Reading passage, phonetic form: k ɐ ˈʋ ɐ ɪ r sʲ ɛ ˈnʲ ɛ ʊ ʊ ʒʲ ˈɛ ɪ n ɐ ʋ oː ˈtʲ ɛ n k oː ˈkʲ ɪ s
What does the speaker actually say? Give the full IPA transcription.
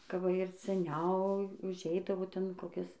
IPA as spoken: k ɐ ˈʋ ɐ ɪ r sʲ ɛ ˈnʲ ɛ ʊ ʊ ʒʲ ˈɛ ɪ d ɐ ʋ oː ˈtʲ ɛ n k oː ˈkʲ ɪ s